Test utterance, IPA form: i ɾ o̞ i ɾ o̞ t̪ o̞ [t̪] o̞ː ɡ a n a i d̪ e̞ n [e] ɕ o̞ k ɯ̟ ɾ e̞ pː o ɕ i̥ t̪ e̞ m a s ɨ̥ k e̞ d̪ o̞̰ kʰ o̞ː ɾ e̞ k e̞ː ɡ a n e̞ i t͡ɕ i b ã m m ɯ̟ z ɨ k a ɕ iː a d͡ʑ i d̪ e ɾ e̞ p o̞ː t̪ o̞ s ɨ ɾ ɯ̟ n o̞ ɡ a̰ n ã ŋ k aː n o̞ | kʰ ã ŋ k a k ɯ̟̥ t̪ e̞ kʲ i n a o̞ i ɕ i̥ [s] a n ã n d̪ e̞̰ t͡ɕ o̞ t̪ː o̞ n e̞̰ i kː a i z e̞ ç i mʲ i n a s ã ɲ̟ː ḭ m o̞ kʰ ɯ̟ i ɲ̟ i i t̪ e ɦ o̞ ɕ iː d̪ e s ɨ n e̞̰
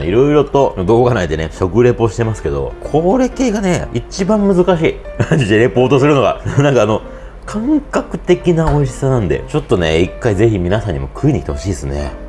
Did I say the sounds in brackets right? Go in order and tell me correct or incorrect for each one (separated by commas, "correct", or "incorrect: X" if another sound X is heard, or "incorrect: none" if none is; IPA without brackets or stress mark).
incorrect: d̪, correct, correct